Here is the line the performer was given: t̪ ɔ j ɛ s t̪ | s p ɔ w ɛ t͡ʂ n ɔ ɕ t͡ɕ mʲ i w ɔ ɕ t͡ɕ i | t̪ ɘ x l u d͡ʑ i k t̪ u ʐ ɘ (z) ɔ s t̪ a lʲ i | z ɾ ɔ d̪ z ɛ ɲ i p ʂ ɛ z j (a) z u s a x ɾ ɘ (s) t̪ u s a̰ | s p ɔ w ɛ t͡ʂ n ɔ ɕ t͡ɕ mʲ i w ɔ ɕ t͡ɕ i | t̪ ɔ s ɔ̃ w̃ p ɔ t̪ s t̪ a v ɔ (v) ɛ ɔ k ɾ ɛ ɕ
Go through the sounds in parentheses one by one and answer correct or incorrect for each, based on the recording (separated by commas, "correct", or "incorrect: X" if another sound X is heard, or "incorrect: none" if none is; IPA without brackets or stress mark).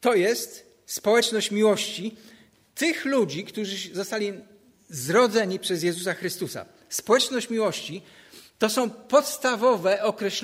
correct, incorrect: ɛ, correct, correct